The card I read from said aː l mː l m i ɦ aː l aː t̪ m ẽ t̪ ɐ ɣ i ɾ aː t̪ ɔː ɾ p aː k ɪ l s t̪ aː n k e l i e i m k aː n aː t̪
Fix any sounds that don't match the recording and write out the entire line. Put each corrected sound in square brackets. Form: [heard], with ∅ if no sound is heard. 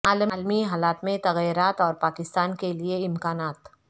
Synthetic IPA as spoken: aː l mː l m i ɦ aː l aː t̪ m ẽ t̪ ɐ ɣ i ɾ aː t̪ ɔː ɾ p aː k ɪ [∅] s t̪ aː n k e l i e [ɪ] m k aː n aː t̪

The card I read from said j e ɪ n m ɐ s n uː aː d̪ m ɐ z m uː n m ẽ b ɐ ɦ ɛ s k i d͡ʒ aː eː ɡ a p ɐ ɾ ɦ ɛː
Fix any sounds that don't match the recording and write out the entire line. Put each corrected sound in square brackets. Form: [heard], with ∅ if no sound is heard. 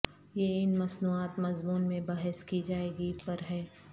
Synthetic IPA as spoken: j e ɪ n m ɐ s n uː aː [t̪] m ɐ z m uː n m ẽ b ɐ ɦ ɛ s k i d͡ʒ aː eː ɡ [i] p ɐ ɾ ɦ ɛː

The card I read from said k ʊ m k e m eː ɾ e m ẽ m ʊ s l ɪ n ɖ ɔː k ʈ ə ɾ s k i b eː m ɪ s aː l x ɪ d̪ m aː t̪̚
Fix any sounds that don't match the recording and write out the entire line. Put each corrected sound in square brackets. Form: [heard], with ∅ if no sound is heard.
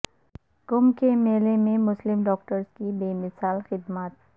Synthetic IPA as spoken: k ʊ m k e m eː [l] e m ẽ m ʊ s l ɪ [m] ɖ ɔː k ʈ ə ɾ s k i b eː m ɪ s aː l x ɪ d̪ m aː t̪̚

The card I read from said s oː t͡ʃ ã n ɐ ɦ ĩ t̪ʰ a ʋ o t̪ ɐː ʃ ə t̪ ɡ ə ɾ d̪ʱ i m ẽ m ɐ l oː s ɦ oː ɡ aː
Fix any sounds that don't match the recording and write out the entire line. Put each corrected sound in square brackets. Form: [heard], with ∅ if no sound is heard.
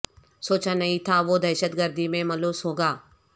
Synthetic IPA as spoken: s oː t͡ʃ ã n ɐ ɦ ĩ t̪ʰ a ʋ o [d̪] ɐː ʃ ə t̪ ɡ ə ɾ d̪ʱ i m ẽ m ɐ l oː s ɦ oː ɡ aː

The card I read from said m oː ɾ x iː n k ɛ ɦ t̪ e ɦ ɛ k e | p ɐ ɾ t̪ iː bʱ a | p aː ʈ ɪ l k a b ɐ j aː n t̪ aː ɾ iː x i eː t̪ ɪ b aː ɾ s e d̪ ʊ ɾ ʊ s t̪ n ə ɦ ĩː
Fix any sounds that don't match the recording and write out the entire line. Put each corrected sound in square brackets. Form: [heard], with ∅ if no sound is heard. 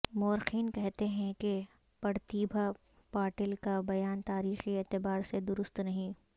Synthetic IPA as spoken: m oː ɾ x iː n k ɛ ɦ t̪ e ɦ [ɛ̃] k e | p ɐ ɾ t̪ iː bʱ a | p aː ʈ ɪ l k a b ɐ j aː n t̪ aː ɾ iː x i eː t̪ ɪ b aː ɾ s e d̪ ʊ ɾ ʊ s t̪ n [ɐ] ɦ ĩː

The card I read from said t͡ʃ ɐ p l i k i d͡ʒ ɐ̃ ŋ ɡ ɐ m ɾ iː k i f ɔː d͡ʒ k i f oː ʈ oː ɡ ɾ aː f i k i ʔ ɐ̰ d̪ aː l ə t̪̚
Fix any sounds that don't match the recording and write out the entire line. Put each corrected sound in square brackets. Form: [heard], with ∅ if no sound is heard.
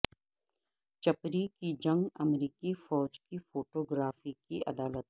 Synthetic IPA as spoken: t͡ʃ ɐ p [ɾ] i k i d͡ʒ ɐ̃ ŋ ɡ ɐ m ɾ iː k i f ɔː d͡ʒ k i f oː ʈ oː ɡ ɾ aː f i k i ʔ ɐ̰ d̪ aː l ə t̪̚

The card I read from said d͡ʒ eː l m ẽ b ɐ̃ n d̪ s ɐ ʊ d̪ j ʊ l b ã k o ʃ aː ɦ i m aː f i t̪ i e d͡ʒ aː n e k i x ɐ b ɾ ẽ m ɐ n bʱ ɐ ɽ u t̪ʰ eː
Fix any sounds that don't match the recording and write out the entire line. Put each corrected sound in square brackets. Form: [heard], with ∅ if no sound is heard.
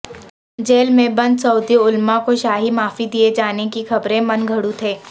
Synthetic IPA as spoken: d͡ʒ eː l m ẽ b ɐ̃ n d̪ s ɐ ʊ d̪ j ʊ l [m] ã k o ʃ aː ɦ i m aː f i [d̪] i e d͡ʒ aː n e k i x ɐ b ɾ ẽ m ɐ n [ɡʱ] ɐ ɽ u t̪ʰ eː

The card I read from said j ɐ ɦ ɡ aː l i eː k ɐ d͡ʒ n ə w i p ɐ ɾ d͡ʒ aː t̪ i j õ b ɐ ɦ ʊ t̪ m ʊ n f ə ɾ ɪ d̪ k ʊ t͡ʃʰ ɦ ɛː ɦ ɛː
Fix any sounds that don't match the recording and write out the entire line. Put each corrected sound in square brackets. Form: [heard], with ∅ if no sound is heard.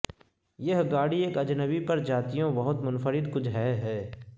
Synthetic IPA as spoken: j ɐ ɦ ɡ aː [ɽ] i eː k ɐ d͡ʒ n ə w i p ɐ ɾ d͡ʒ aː t̪ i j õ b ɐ ɦ ʊ t̪ m ʊ n f ə ɾ ɪ d̪ k ʊ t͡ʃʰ ɦ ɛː ɦ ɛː

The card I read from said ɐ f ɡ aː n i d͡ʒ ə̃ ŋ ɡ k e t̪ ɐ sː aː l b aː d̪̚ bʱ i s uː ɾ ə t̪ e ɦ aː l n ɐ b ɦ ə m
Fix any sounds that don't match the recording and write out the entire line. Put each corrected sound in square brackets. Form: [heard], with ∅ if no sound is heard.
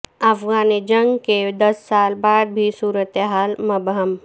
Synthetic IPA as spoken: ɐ f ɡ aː n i d͡ʒ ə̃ ŋ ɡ k e [d̪] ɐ sː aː l b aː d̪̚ bʱ i s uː ɾ ə t̪ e ɦ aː l [m] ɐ b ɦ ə m

